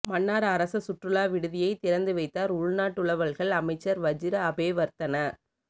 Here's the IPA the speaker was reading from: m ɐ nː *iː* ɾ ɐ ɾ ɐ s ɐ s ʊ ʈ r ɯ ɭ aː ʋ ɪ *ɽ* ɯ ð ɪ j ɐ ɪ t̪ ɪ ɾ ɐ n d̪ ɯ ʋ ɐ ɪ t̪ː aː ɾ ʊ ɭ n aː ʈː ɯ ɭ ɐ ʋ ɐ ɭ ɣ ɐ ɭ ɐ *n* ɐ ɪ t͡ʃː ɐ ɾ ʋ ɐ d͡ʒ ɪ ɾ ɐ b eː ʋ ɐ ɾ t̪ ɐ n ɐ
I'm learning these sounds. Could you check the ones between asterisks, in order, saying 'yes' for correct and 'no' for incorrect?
no, yes, no

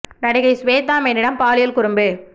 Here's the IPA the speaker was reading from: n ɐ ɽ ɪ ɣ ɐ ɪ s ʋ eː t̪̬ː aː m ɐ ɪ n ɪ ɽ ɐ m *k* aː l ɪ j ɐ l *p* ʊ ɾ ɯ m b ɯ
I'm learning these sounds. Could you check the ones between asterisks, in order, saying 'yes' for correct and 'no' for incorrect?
no, no

